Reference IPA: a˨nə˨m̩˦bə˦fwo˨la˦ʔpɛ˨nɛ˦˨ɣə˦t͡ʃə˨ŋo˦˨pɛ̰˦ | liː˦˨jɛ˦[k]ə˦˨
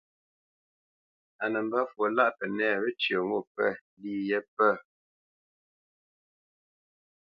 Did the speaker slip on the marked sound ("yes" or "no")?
yes